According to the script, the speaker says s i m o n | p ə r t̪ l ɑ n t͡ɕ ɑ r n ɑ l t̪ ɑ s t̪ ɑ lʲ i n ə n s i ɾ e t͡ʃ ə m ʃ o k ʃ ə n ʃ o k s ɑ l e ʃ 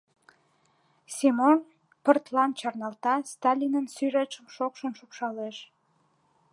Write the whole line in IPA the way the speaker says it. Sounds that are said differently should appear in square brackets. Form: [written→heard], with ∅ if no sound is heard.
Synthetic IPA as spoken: s i m o n | p ə r t̪ l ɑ n t͡ɕ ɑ r n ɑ l t̪ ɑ s t̪ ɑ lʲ i n ə n s [i→y] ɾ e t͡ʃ ə m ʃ o k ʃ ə n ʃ [o→u] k [s→ʃ] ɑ l e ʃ